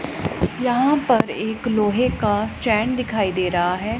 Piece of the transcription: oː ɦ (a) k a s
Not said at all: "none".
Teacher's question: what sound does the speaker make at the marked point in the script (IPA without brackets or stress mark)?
e